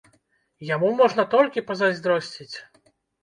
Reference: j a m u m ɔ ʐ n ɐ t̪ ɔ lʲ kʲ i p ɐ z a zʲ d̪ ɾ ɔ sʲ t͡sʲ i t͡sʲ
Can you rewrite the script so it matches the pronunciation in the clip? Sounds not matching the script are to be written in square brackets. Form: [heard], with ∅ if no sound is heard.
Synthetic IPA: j a m u m ɔ ʐ n ɐ t̪ ɔ lʲ kʲ i p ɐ z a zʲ d̪ ɾ ɔ sʲ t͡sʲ i t͡sʲ